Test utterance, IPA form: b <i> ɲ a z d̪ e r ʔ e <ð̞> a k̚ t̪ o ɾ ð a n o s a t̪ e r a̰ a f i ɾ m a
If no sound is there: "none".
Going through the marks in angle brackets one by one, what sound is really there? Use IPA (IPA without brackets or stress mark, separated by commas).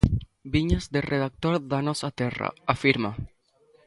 i, ð̞